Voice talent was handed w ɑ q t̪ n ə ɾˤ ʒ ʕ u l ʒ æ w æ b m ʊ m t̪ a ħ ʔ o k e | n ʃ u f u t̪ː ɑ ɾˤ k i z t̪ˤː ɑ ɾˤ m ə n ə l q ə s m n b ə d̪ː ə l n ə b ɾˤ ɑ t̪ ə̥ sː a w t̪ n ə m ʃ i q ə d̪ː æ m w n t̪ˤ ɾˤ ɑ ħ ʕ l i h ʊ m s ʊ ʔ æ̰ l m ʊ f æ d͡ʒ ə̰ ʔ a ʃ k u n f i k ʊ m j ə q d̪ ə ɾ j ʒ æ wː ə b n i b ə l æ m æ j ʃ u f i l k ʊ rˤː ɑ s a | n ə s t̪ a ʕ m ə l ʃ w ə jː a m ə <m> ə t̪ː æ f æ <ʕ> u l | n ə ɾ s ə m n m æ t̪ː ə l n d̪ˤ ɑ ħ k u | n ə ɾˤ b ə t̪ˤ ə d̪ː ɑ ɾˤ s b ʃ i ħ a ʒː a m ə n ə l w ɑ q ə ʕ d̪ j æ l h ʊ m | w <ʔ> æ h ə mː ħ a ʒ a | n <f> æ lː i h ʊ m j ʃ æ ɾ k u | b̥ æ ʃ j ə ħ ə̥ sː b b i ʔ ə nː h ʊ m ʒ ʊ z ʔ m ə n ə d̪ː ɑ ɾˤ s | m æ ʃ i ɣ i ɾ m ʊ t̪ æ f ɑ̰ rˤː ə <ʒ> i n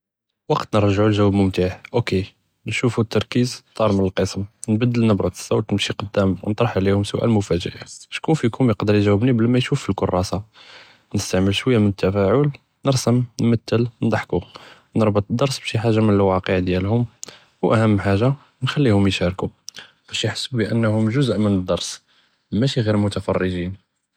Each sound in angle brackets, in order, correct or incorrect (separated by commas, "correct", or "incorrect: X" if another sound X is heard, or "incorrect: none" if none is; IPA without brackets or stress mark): incorrect: n, correct, correct, incorrect: x, correct